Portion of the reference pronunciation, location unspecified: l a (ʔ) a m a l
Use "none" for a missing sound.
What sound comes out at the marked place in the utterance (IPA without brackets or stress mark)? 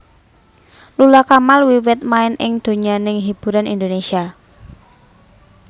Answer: k